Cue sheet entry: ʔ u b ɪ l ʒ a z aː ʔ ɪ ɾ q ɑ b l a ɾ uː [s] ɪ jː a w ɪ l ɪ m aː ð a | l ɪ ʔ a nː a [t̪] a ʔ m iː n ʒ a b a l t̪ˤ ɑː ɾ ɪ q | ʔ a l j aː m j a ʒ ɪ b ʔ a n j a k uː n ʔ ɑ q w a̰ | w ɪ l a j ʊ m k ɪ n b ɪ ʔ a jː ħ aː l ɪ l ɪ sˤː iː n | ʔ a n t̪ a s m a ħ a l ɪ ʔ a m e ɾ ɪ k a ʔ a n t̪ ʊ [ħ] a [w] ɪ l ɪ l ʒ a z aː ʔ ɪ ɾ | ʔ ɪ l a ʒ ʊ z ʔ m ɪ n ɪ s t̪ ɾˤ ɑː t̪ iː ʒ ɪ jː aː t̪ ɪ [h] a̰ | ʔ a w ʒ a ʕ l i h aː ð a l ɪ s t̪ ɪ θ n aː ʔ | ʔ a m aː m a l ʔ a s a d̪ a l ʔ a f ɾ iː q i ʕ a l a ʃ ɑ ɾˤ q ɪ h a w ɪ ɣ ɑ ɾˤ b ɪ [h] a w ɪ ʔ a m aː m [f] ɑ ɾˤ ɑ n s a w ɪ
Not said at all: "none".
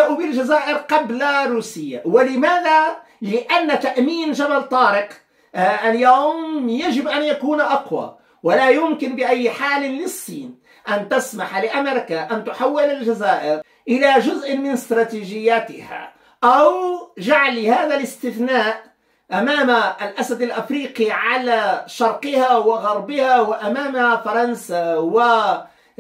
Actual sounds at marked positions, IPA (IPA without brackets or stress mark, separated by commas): s, t̪, ħ, wː, h, h, f